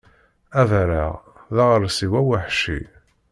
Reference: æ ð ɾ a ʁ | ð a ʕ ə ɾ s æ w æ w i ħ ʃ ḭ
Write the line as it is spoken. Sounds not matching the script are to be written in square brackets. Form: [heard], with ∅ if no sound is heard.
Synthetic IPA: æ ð ɾ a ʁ | ð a [ʁ] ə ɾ s [i] w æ w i ħ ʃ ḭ